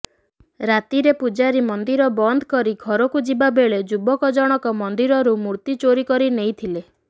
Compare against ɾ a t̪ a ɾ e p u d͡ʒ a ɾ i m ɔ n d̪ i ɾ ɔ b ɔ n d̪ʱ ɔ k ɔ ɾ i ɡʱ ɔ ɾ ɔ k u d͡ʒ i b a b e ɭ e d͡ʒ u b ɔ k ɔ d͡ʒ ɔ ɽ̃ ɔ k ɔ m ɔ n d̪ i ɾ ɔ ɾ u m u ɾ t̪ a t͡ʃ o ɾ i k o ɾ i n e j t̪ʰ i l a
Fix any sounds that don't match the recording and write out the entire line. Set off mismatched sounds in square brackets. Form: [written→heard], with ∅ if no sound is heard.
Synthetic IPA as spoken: ɾ a t̪ [a→i] ɾ e p u d͡ʒ a ɾ i m ɔ n d̪ i ɾ ɔ b ɔ n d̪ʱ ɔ k ɔ ɾ i ɡʱ ɔ ɾ ɔ k u d͡ʒ i b a b e ɭ e d͡ʒ u b ɔ k ɔ d͡ʒ ɔ ɽ̃ ɔ k ɔ m ɔ n d̪ i ɾ ɔ ɾ u m u ɾ t̪ [a→i] t͡ʃ o ɾ i k [o→ɔ] ɾ i n e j t̪ʰ i l [a→e]